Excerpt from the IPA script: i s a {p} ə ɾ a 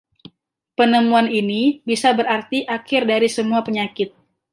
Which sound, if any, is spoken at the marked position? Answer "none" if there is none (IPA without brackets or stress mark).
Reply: b